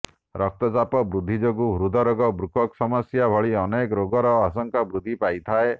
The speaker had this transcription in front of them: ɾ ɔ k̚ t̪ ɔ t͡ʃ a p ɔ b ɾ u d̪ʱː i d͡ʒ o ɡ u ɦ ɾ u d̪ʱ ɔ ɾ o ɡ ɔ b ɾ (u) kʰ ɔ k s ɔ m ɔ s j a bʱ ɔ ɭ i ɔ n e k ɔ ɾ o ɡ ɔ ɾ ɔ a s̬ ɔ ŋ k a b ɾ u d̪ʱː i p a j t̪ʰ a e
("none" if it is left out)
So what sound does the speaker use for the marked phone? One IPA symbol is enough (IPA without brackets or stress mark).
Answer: u